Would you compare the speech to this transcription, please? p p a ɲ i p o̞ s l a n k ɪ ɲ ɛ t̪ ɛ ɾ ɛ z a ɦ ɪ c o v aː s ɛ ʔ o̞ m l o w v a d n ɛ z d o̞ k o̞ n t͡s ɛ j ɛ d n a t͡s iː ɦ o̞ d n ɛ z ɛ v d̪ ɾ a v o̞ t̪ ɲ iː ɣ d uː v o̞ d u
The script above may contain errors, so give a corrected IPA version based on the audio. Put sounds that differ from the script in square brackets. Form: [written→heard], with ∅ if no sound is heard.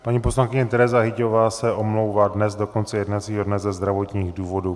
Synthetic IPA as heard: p p a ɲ i p o̞ s l a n k ɪ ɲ ɛ t̪ ɛ ɾ ɛ z a ɦ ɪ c o v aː s ɛ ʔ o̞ m l o w v a d n ɛ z d o̞ k o̞ n t͡s ɛ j ɛ d n a t͡s iː ɦ o̞ d n ɛ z ɛ [v→z] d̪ ɾ a v o̞ t̪ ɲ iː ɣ d uː v o̞ d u